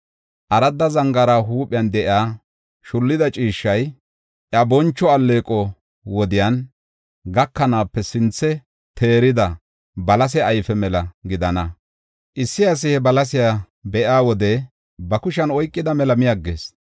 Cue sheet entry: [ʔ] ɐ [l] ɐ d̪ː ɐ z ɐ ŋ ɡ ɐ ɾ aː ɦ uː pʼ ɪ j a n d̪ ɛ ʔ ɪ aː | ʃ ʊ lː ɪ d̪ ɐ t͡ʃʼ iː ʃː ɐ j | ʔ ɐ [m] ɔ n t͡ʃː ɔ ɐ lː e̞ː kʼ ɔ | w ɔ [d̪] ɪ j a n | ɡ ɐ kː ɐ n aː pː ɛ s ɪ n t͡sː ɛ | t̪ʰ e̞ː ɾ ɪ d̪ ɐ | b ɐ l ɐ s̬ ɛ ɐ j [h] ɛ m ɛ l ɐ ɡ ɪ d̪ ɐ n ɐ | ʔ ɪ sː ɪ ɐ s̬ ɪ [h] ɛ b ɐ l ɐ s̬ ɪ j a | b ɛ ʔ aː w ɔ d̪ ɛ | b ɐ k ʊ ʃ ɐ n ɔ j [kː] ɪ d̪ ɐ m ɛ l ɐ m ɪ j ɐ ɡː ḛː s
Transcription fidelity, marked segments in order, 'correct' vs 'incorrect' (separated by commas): correct, incorrect, incorrect, correct, incorrect, correct, incorrect